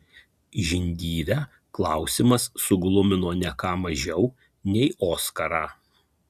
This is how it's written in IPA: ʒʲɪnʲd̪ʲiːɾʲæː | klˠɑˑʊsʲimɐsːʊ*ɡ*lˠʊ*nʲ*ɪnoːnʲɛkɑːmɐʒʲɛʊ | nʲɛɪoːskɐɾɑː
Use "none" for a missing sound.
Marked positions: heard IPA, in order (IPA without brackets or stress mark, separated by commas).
ɡ, mʲ